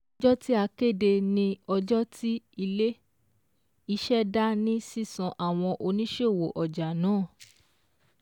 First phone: d͡ʒ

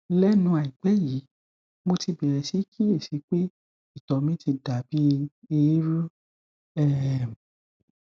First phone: l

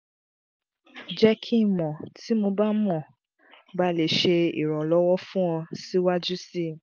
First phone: d͡ʒ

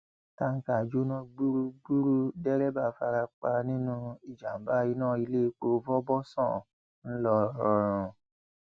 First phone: t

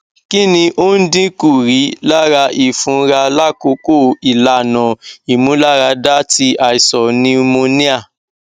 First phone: k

